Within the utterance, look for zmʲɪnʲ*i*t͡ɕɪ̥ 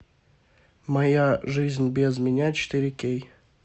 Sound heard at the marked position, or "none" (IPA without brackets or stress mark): a